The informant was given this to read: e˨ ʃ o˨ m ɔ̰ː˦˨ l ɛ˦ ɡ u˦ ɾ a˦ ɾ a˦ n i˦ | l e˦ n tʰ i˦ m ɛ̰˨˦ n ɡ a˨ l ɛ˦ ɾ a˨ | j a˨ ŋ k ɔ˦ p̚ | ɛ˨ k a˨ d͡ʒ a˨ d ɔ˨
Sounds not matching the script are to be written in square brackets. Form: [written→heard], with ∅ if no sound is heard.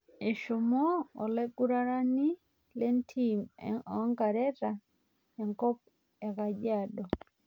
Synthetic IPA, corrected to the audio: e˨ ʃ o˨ m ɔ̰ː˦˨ l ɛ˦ ɡ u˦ ɾ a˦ ɾ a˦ n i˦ | l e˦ n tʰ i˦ m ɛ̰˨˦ [n→ŋ] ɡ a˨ [l→ɾ] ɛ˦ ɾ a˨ | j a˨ ŋ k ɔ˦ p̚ | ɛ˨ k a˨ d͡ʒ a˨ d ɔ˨